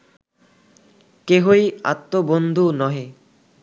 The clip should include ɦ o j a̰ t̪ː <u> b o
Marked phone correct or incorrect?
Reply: incorrect